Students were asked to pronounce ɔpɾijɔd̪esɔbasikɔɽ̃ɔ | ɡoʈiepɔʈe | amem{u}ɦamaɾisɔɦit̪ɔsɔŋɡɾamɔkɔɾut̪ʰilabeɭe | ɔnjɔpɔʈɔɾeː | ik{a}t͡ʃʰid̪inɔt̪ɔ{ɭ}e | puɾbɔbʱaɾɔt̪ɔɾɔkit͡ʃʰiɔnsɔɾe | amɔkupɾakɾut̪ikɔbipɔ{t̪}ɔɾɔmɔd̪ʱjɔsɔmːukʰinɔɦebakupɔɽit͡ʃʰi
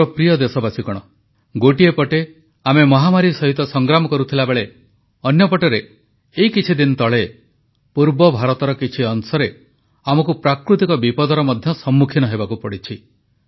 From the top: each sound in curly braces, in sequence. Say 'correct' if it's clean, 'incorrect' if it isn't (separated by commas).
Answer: incorrect, incorrect, correct, incorrect